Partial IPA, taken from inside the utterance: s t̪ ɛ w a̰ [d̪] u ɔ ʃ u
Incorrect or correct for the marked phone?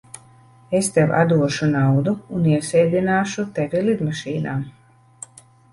correct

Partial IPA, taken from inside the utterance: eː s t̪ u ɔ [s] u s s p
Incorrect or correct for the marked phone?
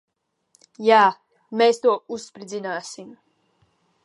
incorrect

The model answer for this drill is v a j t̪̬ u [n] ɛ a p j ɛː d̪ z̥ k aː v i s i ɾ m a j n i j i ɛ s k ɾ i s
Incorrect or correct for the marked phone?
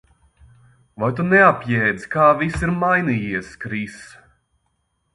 correct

